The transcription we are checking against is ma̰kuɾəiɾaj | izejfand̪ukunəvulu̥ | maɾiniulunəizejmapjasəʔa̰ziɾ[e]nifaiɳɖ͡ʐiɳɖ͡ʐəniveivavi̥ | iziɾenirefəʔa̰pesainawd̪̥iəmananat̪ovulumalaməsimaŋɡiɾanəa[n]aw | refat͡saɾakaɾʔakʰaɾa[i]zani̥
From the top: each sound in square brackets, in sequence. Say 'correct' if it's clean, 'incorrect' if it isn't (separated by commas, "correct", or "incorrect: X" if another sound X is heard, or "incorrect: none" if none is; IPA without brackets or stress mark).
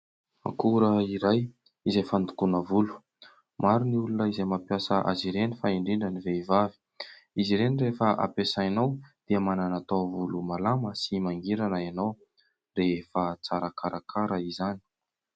correct, correct, correct